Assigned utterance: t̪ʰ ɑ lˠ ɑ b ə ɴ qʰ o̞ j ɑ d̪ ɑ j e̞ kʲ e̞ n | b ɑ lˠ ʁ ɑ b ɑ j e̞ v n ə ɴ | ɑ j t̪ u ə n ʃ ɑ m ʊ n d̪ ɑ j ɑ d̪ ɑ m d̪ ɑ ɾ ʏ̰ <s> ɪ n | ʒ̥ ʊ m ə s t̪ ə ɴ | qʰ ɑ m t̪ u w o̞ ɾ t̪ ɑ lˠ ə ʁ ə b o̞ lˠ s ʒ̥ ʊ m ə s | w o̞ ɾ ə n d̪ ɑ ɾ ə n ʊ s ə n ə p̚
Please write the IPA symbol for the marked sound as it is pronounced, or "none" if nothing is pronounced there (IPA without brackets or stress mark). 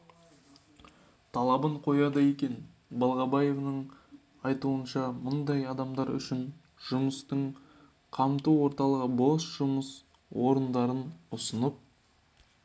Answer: ʃ